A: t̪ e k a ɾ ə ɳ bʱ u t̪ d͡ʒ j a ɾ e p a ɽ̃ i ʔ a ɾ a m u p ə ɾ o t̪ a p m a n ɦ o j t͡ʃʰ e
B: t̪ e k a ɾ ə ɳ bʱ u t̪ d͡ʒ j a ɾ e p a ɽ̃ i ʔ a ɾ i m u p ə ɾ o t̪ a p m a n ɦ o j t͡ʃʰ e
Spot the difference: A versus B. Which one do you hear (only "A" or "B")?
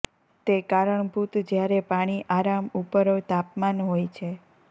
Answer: A